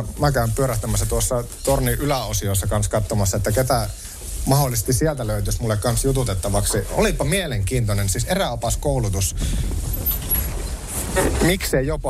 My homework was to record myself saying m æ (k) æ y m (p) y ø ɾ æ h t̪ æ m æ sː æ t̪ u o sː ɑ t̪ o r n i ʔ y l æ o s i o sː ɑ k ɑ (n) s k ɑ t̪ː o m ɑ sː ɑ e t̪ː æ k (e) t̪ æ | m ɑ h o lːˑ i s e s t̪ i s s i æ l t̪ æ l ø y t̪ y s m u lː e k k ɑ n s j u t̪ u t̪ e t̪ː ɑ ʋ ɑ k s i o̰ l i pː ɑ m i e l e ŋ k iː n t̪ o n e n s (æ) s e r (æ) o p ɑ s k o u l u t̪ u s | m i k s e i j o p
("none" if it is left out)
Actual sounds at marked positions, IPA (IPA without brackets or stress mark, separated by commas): k, p, n, e, i, æ